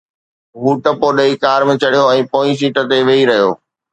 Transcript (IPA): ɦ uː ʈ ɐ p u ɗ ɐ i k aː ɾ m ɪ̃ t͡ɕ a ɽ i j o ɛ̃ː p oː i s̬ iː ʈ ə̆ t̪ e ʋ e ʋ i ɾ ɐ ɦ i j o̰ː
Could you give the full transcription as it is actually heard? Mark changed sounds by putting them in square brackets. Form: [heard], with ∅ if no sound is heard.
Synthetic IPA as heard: ɦ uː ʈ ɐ p [o] ɗ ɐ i k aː ɾ m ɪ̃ t͡ɕ [ɐ] ɽ i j o ɛ̃ː p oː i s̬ iː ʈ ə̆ t̪ e ʋ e [∅] i ɾ ɐ ɦ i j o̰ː

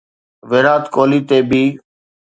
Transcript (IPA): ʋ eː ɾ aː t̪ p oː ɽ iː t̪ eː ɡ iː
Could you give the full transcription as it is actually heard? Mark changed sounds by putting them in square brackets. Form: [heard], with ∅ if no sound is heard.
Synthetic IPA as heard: ʋ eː ɾ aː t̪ [k] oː [l] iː t̪ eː [b] iː

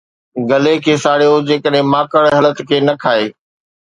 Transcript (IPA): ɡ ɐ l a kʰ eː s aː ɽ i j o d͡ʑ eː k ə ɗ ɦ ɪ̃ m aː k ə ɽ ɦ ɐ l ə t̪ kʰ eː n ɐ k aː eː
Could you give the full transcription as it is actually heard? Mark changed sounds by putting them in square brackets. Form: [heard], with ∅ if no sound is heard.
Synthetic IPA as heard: ɡ ɐ l [e] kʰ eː s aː ɽ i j o d͡ʑ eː k ə ɗ ɦ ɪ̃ m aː k ə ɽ ɦ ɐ l ə t̪ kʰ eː n ɐ [kʰ] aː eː

